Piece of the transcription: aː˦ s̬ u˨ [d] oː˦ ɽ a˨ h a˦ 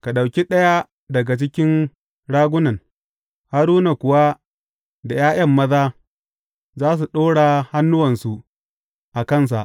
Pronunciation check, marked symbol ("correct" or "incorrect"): incorrect